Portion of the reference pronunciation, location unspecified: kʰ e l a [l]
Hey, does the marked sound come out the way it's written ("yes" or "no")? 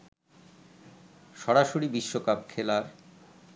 no